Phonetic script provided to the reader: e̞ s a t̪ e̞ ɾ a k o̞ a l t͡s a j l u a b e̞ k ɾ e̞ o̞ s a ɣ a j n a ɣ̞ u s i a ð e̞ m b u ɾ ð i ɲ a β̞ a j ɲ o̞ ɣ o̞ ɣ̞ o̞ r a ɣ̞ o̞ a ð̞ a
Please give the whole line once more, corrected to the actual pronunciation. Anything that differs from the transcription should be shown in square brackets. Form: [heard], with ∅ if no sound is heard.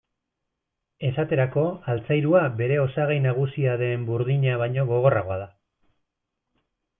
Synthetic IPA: e̞ s a t̪ e̞ ɾ a k o̞ a l t͡s a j [ɾ] u a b e̞ [∅] ɾ e̞ o̞ s a ɣ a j n a ɣ̞ u s i a ð e̞ m b u ɾ ð i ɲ a β̞ a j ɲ o̞ ɣ o̞ ɣ̞ o̞ r a ɣ̞ o̞ a ð̞ a